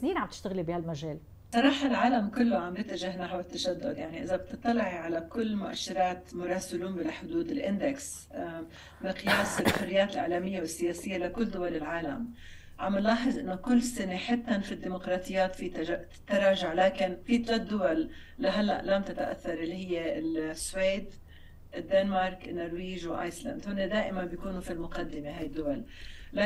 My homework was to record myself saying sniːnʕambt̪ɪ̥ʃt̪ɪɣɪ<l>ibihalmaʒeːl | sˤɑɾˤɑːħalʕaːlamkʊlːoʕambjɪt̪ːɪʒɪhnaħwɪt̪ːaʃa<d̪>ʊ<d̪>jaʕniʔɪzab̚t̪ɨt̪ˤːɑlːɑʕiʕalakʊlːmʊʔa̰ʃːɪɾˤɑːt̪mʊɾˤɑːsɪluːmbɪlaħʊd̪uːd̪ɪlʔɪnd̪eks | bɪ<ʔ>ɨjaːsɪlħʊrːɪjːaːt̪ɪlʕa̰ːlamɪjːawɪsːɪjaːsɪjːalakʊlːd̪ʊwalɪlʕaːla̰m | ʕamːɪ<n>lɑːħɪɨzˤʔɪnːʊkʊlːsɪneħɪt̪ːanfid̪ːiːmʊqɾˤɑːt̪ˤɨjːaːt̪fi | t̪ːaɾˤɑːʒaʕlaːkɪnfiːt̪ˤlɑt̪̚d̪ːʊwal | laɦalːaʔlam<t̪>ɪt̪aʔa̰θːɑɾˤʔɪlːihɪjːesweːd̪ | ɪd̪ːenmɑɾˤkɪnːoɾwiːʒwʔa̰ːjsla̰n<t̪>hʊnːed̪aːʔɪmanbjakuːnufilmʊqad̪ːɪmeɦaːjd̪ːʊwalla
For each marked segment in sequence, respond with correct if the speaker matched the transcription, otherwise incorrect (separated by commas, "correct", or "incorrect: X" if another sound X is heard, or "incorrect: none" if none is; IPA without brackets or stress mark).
correct, incorrect: d̪ː, correct, incorrect: q, correct, correct, incorrect: d̪